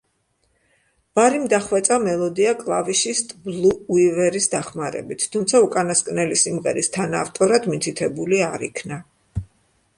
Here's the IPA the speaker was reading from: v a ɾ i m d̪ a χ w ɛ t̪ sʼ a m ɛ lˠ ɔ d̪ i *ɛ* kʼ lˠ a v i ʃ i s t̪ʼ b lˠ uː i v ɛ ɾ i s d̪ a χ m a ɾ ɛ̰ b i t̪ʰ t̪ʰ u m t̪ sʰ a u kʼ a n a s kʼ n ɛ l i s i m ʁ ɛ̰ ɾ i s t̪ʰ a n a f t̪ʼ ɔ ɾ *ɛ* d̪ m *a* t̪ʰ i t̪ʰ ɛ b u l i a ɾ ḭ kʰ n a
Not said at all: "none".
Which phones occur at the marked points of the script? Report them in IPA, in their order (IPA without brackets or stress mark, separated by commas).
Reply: a, a, i